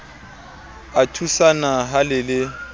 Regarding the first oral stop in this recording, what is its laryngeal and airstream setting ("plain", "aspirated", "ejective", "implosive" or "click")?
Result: aspirated